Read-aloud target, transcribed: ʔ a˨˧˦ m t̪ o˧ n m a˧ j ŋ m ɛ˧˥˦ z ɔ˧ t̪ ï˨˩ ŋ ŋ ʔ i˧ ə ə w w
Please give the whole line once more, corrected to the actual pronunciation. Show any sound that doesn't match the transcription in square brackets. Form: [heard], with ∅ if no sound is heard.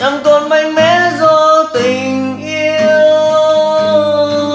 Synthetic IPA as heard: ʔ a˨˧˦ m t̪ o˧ n m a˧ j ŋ m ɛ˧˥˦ z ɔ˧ t̪ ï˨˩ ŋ ŋ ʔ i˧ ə ə w w